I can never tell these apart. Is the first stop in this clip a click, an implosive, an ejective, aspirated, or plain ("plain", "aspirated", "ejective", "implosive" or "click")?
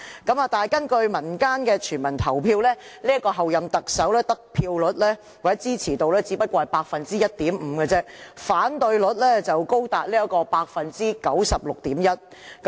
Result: plain